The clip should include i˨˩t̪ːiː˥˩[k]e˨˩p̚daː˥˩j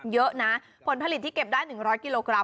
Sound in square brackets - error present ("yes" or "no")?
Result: no